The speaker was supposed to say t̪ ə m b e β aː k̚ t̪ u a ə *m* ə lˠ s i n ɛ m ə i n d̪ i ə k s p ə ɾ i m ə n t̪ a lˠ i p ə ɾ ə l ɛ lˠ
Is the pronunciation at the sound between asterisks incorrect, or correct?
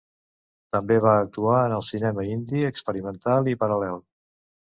incorrect